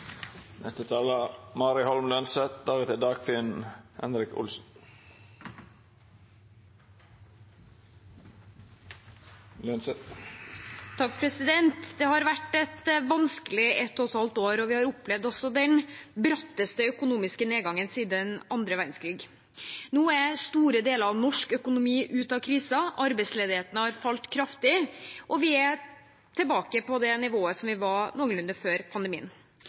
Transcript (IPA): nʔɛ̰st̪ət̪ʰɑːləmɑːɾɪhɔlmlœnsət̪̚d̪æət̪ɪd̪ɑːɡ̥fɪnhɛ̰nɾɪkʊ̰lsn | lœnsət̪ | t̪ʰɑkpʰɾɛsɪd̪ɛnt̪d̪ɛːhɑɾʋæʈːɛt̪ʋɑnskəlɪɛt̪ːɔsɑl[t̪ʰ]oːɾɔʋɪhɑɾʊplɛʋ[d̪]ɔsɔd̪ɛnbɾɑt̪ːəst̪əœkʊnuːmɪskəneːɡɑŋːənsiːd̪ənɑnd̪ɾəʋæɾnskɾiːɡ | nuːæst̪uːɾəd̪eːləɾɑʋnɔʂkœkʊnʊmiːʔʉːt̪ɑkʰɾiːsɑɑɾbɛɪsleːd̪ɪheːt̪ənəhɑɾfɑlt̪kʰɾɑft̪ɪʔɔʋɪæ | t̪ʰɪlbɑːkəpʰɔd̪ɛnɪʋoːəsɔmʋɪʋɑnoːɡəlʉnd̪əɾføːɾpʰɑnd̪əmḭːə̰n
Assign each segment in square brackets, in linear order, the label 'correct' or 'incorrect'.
incorrect: t̪, correct

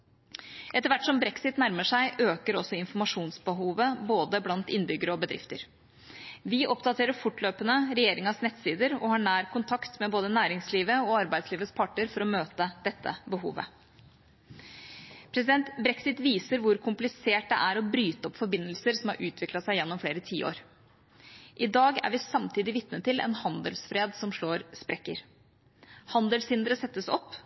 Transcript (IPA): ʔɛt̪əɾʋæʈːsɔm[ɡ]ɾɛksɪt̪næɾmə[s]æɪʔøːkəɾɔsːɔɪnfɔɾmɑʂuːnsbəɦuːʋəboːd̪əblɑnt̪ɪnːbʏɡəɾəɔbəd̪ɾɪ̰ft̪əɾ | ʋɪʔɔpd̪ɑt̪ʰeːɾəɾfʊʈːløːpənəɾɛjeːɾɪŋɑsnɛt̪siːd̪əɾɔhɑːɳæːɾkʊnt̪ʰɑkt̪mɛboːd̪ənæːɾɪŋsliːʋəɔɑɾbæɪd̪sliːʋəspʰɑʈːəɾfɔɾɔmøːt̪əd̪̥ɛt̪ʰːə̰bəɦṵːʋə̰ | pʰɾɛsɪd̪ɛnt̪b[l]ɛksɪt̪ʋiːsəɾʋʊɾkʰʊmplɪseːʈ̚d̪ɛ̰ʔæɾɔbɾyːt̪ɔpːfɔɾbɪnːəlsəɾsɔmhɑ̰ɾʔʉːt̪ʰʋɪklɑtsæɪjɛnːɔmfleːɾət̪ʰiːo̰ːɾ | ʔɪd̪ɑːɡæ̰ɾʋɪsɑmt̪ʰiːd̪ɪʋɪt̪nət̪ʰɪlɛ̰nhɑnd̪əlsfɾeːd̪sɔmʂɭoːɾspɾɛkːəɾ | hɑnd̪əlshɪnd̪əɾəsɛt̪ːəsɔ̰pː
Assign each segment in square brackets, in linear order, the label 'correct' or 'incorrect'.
incorrect: b, incorrect: ʂ, incorrect: ɾ

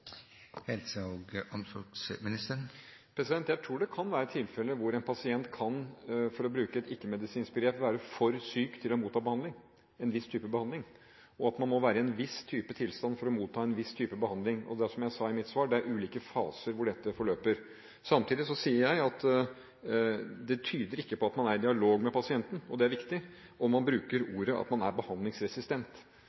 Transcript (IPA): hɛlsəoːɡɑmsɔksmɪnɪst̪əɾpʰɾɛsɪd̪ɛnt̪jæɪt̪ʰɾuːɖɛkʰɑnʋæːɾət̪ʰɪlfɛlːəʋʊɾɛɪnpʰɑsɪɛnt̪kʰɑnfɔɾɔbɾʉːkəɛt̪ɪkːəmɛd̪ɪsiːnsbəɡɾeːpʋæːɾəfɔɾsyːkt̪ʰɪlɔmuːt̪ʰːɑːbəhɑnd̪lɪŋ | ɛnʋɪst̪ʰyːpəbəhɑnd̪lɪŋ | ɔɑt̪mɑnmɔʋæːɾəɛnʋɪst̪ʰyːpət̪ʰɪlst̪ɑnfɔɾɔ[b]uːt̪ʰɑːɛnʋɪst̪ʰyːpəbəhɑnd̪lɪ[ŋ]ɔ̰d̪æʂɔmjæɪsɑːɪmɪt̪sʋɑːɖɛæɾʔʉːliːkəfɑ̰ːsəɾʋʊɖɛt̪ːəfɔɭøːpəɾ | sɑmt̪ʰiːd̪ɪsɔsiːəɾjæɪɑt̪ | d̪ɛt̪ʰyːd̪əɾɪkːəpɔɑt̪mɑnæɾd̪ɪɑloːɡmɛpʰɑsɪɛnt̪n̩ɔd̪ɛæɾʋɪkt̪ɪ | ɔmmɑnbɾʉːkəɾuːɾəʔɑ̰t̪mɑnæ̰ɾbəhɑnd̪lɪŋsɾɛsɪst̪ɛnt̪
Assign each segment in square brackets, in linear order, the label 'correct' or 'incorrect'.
incorrect: m, correct

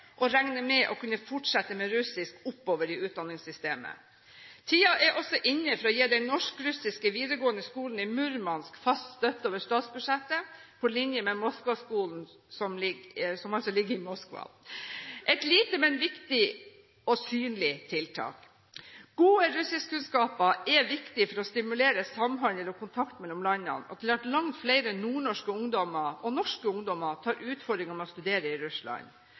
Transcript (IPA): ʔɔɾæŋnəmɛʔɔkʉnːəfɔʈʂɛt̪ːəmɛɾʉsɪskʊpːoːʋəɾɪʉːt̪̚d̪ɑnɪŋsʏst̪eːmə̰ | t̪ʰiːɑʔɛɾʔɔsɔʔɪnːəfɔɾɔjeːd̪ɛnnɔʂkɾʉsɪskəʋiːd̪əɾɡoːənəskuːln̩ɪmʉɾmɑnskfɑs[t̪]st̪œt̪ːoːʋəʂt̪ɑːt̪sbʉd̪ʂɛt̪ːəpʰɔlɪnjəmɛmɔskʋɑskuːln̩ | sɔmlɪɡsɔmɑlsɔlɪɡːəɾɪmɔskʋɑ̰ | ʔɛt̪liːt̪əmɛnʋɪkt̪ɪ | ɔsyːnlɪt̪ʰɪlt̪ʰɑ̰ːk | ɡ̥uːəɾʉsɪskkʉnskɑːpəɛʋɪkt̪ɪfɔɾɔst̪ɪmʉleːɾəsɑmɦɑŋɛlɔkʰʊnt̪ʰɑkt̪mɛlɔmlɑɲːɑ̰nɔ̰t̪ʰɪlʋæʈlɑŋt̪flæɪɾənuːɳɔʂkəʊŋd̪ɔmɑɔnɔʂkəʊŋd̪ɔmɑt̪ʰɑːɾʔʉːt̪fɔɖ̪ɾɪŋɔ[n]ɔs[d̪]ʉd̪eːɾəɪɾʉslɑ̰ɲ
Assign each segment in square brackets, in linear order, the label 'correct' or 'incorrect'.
correct, incorrect: m, incorrect: t̪

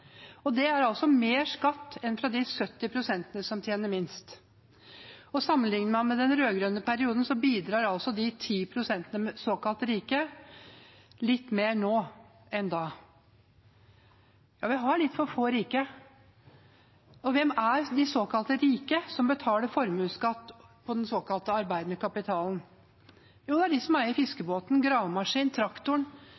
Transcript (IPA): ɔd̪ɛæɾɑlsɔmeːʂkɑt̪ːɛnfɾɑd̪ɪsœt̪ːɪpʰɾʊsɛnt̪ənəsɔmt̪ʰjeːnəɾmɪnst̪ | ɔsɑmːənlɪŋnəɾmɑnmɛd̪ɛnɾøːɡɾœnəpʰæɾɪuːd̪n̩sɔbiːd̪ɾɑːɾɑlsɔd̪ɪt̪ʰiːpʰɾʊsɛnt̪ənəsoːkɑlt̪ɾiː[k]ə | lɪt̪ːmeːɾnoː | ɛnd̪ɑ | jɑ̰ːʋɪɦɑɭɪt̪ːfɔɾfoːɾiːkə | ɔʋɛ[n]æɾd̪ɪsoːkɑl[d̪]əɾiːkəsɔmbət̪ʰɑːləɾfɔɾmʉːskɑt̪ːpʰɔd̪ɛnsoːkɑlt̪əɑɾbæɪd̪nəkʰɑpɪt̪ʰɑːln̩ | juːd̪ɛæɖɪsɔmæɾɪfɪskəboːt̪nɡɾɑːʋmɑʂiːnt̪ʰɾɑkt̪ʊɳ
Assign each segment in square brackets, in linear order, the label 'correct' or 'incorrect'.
correct, incorrect: m, incorrect: t̪

